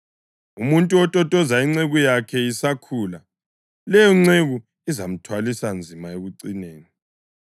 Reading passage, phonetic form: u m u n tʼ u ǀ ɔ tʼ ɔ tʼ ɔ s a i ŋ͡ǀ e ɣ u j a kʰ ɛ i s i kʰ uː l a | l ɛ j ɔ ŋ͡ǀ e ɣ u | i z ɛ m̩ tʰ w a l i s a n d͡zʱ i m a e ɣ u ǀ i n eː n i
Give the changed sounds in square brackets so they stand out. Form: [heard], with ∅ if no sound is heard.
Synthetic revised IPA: u m u n tʼ u [∅] ɔ tʼ ɔ tʼ ɔ [z] a i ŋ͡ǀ e ɣ u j a kʰ ɛ i s [a] kʰ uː l a | l ɛ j ɔ ŋ͡ǀ e ɣ u | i z [a] m̩ tʰ w a l i s a n d͡zʱ i m a e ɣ u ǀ i n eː n i